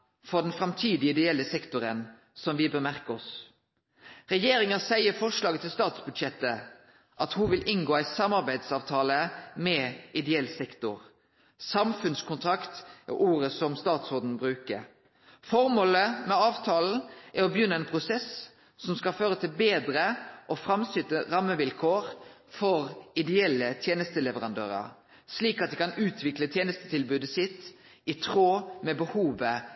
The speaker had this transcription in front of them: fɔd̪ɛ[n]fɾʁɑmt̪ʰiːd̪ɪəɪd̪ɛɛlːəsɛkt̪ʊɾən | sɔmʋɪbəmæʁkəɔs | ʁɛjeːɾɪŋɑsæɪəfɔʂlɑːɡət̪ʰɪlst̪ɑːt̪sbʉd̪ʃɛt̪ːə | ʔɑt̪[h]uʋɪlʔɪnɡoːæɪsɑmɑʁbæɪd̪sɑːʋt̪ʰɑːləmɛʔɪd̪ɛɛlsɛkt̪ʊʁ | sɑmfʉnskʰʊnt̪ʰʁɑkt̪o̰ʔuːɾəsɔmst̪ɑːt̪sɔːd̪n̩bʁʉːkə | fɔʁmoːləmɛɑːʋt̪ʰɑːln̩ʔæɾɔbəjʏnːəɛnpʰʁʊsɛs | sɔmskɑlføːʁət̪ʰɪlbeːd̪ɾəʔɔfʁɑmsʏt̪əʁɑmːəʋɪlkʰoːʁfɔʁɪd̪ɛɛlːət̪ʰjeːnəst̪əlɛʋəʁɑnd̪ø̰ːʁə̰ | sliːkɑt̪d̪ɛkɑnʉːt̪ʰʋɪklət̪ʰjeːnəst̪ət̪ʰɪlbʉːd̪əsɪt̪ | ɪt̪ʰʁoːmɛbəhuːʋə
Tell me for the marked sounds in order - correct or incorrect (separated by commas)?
correct, correct